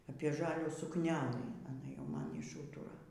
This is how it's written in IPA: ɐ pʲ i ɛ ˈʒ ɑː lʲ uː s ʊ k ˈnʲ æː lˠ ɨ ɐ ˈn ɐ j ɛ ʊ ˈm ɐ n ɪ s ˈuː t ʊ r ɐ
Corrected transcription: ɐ pʲ i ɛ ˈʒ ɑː lʲ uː s ʊ k ˈnʲ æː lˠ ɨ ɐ ˈn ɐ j ɛ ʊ ˈm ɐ n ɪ ʃ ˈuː t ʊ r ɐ